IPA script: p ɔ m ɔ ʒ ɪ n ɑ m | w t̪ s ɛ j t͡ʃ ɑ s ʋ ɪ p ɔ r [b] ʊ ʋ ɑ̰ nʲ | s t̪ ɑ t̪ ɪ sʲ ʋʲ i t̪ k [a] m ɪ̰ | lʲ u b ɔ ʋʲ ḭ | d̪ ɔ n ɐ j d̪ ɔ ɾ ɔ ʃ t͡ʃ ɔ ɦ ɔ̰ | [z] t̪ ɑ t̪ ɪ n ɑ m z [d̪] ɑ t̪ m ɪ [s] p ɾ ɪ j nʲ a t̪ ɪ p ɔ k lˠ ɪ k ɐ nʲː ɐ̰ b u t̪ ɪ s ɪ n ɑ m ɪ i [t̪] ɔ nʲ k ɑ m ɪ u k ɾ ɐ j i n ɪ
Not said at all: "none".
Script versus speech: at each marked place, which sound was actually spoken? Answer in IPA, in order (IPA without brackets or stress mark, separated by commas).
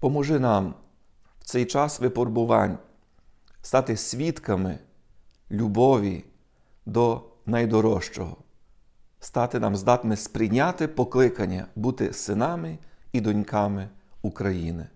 b, ɐ, s, d̪, s, d̪